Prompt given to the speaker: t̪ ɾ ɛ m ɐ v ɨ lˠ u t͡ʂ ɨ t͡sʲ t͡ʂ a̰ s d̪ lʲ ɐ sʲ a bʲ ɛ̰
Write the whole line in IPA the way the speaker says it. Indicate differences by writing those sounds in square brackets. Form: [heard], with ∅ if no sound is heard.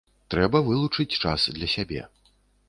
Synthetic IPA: t̪ ɾ ɛ [b] ɐ v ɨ lˠ u t͡ʂ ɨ t͡sʲ t͡ʂ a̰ s d̪ lʲ ɐ sʲ a bʲ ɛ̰